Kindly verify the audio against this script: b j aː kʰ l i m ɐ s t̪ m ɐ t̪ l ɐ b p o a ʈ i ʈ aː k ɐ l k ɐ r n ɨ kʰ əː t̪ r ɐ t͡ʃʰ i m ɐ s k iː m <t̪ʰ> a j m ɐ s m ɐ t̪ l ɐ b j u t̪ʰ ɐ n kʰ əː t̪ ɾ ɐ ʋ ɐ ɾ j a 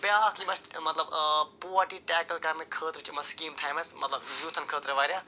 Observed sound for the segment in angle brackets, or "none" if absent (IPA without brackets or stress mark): t̪ʰ